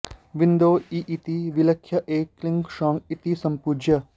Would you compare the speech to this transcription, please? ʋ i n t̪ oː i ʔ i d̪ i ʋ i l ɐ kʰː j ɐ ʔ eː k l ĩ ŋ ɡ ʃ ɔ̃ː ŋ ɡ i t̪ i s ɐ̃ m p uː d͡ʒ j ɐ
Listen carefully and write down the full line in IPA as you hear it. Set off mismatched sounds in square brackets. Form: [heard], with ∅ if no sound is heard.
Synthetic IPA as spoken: ʋ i n [d̪] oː i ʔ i [t̪] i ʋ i l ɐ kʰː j ɐ ʔ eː k l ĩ ŋ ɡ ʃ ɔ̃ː ŋ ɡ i t̪ i s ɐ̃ m p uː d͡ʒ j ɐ